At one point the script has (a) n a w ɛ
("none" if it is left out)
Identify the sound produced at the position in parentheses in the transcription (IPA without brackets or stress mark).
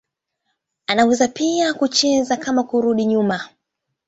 a